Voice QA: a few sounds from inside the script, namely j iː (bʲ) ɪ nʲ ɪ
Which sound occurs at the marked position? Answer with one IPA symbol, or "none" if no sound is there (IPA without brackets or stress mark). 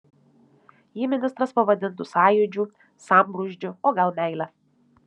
mʲ